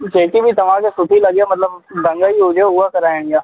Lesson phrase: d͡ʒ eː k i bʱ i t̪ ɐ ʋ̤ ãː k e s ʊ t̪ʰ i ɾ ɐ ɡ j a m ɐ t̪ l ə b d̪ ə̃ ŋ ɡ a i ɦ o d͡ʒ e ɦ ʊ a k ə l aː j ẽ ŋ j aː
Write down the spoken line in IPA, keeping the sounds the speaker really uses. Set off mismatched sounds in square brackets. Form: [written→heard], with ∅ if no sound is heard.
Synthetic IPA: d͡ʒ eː k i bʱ i t̪ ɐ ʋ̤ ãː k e s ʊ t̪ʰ i [ɾ→l] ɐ ɡ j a m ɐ t̪ l ə b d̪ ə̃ ŋ ɡ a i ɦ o d͡ʒ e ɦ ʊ a k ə [l→ɾ] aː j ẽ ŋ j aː